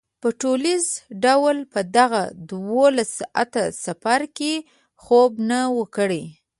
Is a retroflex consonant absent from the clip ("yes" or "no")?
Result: no